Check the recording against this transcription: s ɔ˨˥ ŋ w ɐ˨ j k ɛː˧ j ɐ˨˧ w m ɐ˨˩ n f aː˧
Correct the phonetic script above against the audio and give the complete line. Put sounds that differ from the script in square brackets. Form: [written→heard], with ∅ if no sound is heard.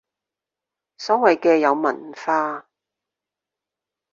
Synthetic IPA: s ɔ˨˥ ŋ w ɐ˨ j k ɛː˧ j ɐ˨˧ w m ɐ˨˩ n f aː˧